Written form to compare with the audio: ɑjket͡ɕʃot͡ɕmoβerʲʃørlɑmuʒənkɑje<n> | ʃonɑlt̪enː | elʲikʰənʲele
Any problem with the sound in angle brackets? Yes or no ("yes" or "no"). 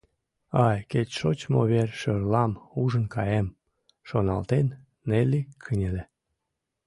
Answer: yes